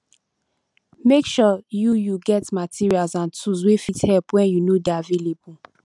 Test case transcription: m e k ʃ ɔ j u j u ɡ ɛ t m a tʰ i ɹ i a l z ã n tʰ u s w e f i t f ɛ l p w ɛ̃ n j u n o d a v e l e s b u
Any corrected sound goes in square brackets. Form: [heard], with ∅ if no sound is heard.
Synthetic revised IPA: m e k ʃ ɔ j u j u ɡ ɛ t m a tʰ i ɹ i a l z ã n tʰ u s w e f i t [h] ɛ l p w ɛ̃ n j u n o d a v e l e [∅] b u